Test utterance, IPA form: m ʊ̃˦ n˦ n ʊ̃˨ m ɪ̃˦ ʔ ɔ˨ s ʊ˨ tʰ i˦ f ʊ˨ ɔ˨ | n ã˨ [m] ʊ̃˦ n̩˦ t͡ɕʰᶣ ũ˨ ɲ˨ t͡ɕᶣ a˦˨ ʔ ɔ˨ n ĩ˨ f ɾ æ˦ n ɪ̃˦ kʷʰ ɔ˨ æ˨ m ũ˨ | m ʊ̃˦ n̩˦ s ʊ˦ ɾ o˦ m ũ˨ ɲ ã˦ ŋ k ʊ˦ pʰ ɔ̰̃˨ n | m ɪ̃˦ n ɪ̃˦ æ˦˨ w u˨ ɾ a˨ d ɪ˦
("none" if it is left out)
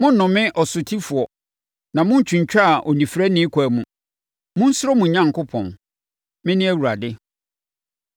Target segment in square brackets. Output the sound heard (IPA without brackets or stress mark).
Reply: m